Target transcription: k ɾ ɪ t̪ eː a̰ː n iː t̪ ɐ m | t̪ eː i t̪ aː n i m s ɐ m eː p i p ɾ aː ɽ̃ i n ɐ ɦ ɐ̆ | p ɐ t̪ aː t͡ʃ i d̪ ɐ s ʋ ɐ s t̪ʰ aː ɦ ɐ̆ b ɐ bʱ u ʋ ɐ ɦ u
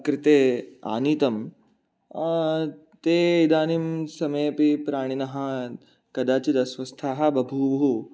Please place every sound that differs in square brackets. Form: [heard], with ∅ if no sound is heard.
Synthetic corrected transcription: k ɾ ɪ t̪ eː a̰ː n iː t̪ ɐ m | t̪ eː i [d̪] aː n i m s ɐ m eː p i p ɾ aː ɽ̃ i n ɐ ɦ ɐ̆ | [k] ɐ [d̪] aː t͡ʃ i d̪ ɐ s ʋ ɐ s t̪ʰ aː ɦ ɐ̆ b ɐ bʱ u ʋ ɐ ɦ u